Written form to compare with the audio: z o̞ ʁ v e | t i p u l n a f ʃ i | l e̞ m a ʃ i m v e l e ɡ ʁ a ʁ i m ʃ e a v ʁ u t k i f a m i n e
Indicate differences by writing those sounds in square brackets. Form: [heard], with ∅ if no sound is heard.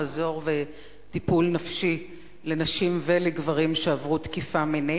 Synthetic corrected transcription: z o̞ ʁ v e | t i p u l n a f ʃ i | l e̞ [n] a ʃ i m v e l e ɡ [v] a ʁ i m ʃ e a v ʁ u t k i f a m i n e